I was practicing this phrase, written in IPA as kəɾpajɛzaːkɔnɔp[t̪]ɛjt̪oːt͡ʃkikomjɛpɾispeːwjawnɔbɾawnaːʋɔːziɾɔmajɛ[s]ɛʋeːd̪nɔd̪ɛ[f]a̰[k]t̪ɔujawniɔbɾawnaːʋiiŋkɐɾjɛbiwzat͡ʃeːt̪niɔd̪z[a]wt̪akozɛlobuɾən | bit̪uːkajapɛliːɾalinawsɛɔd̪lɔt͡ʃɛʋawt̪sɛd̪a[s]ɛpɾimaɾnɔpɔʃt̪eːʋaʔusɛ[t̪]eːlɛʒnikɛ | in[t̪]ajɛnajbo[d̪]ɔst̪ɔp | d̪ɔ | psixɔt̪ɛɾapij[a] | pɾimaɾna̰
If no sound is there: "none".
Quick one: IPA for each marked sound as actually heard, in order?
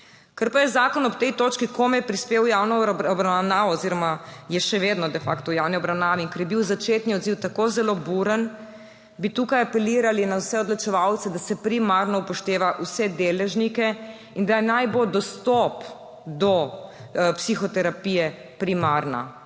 t̪, ʃ, f, k, i, s, d̪, d̪, d̪, ɛ

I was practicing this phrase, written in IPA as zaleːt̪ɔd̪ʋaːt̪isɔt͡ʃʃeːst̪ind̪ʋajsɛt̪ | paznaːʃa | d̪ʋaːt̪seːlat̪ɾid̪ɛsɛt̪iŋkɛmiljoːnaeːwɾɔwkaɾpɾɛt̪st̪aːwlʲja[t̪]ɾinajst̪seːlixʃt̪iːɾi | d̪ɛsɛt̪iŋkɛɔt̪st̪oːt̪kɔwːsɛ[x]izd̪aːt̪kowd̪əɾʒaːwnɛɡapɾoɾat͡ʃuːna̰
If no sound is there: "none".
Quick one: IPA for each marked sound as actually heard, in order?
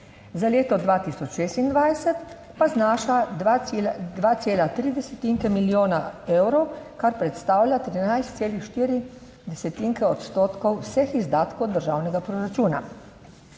t̪, x

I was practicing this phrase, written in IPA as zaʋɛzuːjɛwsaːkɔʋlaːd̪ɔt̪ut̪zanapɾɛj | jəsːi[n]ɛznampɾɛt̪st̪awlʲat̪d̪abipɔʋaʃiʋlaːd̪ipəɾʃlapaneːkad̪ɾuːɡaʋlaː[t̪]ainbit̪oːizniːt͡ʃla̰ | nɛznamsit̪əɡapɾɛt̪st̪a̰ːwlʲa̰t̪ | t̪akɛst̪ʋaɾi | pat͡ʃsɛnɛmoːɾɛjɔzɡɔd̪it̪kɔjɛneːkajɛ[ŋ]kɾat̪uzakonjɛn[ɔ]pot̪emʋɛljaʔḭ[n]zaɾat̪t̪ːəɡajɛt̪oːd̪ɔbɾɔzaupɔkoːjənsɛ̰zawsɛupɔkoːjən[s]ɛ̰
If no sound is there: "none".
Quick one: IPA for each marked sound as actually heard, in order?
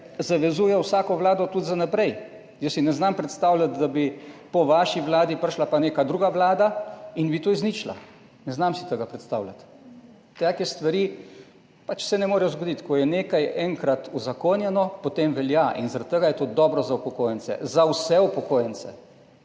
n, d̪, ŋ, ɔ, n, s

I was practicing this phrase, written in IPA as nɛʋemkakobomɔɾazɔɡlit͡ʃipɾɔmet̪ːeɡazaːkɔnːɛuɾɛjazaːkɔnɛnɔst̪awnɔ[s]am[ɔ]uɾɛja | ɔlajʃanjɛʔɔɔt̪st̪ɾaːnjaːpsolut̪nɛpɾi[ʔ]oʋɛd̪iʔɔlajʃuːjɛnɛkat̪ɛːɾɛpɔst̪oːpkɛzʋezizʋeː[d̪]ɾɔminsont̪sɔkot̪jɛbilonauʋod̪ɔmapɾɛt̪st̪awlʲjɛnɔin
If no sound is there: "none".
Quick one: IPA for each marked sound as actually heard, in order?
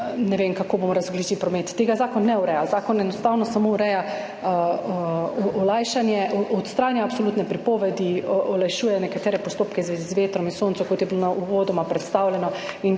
s, o, p, t̪

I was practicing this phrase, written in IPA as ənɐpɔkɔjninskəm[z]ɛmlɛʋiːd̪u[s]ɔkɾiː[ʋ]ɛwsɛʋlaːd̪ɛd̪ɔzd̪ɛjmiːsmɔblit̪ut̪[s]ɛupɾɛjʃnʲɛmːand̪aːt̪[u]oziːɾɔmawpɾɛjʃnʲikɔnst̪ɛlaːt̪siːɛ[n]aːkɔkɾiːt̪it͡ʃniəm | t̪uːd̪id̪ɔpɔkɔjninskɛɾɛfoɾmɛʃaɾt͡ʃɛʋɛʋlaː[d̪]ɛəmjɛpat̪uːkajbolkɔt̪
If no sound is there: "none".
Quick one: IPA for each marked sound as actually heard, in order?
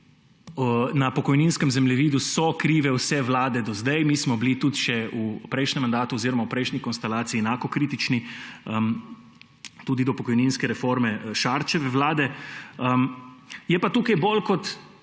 z, s, ʋ, ʃ, u, n, d̪

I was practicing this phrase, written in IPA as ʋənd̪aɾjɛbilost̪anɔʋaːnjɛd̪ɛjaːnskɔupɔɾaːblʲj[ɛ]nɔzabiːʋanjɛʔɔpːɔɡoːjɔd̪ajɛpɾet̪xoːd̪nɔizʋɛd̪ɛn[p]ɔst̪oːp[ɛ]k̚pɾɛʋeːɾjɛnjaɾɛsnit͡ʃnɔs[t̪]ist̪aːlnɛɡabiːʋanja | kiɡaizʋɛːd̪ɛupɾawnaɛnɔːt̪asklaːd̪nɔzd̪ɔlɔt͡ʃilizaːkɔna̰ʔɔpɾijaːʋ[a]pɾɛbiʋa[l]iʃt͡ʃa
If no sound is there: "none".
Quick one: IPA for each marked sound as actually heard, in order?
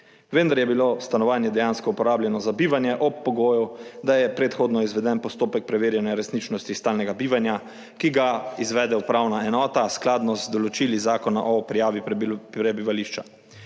ɛ, p, ɛ, t̪, i, l

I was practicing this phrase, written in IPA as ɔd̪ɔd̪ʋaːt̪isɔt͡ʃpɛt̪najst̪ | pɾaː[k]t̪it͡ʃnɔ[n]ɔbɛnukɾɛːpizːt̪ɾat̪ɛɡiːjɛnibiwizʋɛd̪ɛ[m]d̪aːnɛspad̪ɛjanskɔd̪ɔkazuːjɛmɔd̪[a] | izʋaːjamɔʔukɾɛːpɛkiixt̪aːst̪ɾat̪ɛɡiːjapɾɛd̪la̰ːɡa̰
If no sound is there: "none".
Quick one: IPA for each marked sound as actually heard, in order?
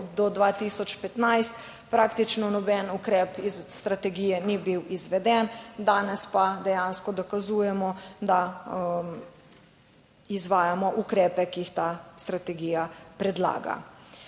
k, n, n, a

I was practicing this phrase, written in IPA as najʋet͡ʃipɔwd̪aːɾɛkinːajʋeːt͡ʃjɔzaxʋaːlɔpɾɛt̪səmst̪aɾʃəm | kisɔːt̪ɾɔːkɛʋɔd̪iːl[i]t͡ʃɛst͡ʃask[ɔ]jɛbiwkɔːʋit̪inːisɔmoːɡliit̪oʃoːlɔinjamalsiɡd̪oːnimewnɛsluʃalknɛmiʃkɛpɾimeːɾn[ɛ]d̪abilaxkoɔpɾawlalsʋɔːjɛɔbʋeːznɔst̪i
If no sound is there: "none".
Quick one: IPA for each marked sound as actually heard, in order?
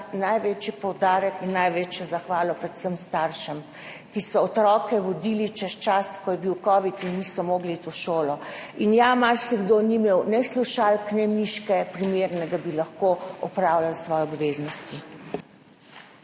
i, ɔ, ɛ

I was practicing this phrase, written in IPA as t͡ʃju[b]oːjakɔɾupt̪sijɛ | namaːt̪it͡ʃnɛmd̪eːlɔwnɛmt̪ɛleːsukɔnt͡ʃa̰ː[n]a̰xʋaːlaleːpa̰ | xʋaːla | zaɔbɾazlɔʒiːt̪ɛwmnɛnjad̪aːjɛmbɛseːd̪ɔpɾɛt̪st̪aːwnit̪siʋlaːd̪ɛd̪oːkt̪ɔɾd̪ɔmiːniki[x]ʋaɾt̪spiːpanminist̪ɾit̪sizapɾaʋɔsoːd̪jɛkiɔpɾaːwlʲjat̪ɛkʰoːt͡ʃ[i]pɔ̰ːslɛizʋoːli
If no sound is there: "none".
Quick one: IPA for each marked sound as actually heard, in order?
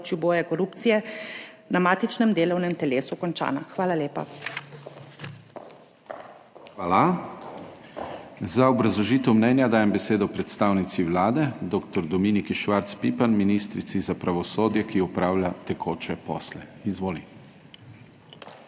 b, n, ʃ, ɛ

